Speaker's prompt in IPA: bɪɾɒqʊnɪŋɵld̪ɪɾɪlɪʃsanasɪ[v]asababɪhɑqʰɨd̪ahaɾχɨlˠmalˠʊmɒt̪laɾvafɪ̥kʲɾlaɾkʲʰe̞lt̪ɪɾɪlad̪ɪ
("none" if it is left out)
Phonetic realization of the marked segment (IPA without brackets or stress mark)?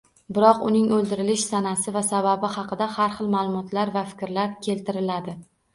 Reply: v